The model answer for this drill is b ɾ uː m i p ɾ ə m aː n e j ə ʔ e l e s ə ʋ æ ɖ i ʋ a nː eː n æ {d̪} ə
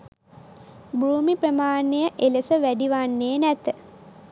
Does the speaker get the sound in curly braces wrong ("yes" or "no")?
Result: yes